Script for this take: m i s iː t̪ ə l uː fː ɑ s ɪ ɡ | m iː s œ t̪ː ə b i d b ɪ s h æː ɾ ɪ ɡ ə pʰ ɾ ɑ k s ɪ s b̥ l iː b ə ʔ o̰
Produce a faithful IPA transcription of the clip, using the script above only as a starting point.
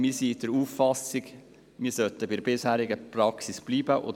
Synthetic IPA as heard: m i s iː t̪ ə ɾ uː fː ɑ s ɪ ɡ | m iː s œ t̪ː ə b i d b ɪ s h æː ɾ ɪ ɡ ə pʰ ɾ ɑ k s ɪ s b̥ l iː b ə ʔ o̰

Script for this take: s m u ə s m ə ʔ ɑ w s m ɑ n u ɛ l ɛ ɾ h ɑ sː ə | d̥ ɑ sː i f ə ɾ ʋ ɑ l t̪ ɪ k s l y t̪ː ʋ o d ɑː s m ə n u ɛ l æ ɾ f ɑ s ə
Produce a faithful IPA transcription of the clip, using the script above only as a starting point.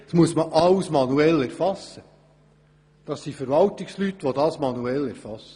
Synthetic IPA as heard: s m u ə s m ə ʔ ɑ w s m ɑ n u ɛ l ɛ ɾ f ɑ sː ə | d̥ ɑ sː i f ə ɾ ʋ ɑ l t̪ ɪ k s l y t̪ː ʋ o d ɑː s m ɑ n u ɛ l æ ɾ f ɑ s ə

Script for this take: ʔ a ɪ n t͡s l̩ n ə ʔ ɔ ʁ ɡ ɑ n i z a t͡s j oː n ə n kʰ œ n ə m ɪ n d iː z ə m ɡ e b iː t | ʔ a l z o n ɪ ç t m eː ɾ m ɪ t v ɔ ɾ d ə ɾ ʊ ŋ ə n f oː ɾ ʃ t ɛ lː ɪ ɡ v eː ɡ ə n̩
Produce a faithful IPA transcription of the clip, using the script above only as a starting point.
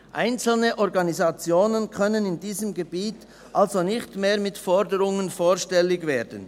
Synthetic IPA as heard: ʔ a ɪ n t͡s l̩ n ə ʔ ɔ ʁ ɡ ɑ n i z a t͡s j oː n ə n kʰ œ n ə n ɪ n d iː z ə m ɡ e b iː t | ʔ a l z o n ɪ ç t m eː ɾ m ɪ t f ɔ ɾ d ə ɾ ʊ ŋ ə n f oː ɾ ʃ t ɛ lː ɪ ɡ v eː d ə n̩

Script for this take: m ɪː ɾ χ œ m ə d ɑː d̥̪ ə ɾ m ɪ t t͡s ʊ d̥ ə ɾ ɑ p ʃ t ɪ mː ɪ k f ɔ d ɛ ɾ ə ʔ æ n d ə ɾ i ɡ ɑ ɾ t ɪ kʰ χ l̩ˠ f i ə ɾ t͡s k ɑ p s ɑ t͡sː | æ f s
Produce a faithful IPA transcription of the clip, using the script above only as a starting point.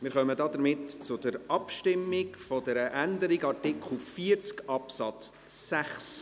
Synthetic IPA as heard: m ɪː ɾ χ œ m ə d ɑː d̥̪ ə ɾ m ɪ t t͡s ʊ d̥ ə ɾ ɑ p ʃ t ɪ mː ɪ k f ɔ d ɛ ɾ ə ʔ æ n d ə ɾ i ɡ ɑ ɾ t ɪ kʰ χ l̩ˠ f i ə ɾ t͡s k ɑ p s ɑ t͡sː | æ χ s

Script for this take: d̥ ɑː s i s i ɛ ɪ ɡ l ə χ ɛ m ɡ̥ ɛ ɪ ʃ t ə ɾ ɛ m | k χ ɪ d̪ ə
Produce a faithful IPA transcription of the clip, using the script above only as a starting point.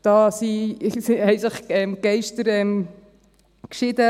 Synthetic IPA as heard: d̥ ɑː s i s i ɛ ɪ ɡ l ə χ ɛ m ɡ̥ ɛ ɪ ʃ t ə ɾ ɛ m | k ʃ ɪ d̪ ə

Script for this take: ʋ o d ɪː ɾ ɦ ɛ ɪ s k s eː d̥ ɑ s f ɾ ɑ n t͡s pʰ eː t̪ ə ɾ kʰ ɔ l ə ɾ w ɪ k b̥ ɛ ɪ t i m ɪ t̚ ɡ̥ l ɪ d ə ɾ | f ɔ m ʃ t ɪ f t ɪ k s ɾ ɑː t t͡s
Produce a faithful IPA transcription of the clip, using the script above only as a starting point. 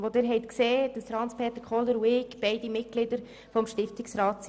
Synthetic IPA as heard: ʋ o d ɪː ɾ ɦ ɛ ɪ t k s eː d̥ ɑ s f ɾ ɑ n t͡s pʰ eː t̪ ə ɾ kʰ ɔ l ə ɾ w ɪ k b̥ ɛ ɪ d i m ɪ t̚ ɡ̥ l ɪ d ə ɾ | f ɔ m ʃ t ɪ f t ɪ k s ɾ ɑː t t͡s

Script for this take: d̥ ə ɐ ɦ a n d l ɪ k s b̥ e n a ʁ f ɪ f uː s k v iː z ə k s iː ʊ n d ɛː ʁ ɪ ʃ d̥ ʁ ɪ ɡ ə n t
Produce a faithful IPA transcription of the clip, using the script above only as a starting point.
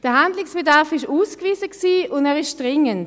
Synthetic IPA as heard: d̥ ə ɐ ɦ a n d l ɪ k s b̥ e d a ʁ f ɪ ʃ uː s k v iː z ə k s iː ʊ n d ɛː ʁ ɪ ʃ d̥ ʁ ɪ ŋ ə n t

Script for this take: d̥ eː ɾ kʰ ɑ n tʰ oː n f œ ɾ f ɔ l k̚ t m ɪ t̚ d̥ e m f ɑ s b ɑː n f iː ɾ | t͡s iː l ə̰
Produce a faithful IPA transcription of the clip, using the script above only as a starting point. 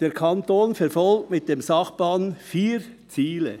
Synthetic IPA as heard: d̥ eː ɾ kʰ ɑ n t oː n f ɛ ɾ f ɔ l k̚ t m ɪ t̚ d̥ e m s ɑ χ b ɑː n f iː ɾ | t͡s iː l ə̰

